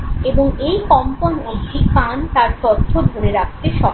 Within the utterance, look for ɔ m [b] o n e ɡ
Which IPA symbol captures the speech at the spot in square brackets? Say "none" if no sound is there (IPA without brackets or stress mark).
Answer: p